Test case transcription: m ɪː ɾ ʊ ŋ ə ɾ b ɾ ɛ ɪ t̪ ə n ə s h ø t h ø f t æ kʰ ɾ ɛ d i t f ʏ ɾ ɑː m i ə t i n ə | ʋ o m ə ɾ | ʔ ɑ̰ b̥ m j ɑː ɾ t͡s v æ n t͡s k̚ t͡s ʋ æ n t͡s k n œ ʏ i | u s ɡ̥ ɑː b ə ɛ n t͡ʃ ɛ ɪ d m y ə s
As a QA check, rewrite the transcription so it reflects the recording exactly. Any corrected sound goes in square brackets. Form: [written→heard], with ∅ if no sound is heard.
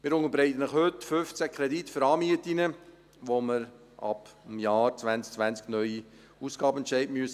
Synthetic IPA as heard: m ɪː ɾ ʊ ŋ ə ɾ b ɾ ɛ ɪ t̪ ə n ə [s→χ] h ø t [h→f] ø f [t→t͡s] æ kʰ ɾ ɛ d i t f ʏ ɾ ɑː m i ə t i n ə | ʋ o m ə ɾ | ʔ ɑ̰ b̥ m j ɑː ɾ t͡s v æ n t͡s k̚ t͡s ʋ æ n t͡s k n œ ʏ i | u s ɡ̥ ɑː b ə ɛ n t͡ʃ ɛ ɪ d m y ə s